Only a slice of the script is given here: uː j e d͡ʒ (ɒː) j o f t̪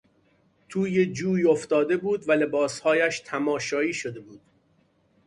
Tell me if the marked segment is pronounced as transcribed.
no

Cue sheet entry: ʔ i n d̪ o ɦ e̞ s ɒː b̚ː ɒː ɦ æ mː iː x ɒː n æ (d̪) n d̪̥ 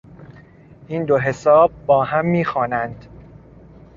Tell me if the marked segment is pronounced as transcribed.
no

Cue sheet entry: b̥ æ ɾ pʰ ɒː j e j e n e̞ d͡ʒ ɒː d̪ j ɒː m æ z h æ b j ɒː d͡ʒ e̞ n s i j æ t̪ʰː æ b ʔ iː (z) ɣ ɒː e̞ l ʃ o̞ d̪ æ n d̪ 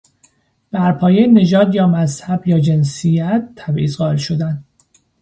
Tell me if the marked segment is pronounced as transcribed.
yes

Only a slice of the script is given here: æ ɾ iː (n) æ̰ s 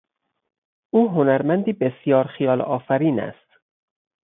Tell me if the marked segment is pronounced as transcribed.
yes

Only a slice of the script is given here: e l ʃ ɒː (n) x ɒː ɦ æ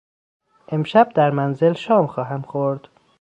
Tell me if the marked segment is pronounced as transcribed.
no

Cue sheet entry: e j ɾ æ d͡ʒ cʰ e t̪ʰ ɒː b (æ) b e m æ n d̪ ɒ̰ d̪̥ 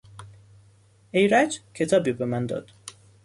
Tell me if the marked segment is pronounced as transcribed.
no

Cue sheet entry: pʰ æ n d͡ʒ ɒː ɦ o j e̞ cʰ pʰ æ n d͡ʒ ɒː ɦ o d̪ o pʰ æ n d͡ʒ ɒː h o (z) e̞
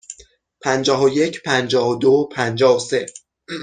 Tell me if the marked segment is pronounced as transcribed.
no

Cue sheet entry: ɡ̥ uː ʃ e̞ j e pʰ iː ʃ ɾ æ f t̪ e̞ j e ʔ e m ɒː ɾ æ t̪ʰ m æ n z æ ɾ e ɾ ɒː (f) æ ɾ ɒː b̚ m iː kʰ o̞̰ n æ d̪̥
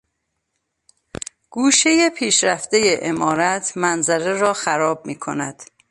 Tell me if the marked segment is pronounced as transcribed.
no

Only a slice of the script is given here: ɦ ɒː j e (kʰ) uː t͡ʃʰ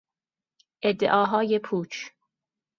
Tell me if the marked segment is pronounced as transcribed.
no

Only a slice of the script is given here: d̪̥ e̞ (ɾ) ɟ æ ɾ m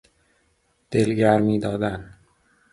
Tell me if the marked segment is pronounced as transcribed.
no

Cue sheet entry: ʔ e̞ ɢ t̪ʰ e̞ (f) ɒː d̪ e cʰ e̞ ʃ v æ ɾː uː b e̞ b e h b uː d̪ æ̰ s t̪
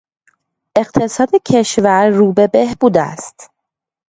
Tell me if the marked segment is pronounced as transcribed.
no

